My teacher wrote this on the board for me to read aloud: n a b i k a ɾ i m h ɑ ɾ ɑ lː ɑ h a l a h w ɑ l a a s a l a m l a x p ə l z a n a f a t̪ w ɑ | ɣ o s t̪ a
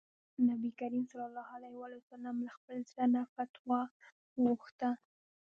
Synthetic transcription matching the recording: n a b i k a ɾ i m s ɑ l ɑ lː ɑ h a l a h w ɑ l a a s a l a m l a x p ə l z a n a f a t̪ w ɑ | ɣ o x t̪ a